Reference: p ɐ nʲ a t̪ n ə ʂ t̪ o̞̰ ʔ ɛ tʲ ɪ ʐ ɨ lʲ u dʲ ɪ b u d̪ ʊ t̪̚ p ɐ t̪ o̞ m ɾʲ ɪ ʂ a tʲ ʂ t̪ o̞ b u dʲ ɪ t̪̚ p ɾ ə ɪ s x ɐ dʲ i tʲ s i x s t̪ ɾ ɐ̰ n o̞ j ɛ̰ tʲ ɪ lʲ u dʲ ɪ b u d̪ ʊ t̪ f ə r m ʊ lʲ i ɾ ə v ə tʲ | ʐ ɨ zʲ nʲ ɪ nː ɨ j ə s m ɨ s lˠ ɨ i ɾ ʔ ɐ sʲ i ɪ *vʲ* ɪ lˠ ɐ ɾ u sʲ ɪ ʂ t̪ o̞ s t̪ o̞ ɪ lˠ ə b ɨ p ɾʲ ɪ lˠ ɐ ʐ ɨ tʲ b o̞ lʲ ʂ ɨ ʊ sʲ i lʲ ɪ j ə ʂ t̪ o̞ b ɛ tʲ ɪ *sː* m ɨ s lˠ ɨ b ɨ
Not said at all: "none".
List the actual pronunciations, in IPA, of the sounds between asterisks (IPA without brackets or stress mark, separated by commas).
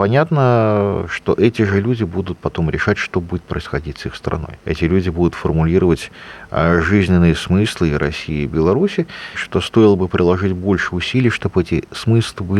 bʲ, s